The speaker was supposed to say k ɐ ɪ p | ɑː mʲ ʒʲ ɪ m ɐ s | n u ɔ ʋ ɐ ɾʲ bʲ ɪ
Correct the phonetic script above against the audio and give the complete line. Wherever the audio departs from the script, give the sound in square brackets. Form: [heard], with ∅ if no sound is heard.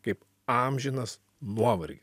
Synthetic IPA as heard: k ɐ ɪ p | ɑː mʲ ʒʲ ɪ [n] ɐ s | n u ɔ ʋ ɐ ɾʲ [ɡʲ] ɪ